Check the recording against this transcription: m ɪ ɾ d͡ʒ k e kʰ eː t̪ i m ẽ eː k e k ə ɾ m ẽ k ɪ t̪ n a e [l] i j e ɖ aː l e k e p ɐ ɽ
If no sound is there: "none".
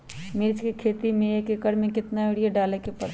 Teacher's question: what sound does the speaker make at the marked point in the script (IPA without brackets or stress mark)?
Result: ɽ